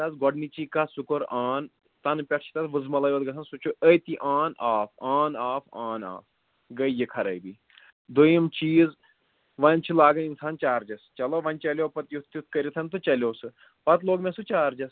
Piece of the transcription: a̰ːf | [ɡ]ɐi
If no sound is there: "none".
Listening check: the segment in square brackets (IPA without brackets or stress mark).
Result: ɡ